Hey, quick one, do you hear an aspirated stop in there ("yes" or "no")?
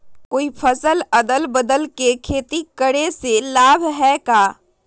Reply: yes